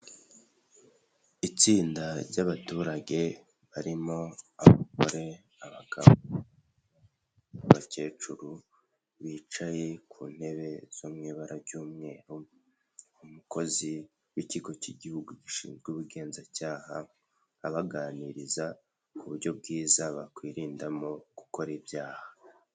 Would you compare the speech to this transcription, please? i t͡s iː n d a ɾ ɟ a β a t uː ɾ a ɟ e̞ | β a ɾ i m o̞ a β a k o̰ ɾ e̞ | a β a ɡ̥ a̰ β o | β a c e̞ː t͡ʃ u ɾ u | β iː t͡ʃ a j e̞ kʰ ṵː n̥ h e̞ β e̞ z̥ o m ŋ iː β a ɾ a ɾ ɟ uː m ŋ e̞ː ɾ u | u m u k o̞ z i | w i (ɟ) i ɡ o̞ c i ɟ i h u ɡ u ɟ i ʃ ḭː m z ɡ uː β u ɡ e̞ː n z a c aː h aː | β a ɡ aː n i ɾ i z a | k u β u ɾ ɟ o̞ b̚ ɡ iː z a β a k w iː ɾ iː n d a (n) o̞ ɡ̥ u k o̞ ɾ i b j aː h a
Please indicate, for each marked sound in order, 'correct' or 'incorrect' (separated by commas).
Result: incorrect, incorrect